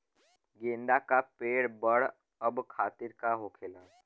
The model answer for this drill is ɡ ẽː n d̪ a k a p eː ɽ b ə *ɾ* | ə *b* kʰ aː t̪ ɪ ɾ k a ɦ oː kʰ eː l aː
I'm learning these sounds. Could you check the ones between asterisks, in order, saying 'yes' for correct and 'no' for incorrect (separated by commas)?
no, yes